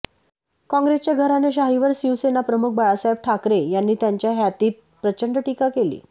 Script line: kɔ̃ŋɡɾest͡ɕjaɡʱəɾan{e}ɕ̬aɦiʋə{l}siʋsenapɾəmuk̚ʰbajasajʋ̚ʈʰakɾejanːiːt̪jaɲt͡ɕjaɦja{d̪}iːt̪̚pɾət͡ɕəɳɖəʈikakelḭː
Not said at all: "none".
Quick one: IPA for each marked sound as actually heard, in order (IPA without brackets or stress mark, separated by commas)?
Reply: e, ɾ, t̪